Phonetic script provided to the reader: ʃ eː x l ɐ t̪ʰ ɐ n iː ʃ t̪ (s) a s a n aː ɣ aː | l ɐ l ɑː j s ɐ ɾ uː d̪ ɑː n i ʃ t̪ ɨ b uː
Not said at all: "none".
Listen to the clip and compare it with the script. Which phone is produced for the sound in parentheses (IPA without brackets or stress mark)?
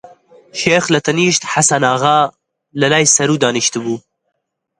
ħ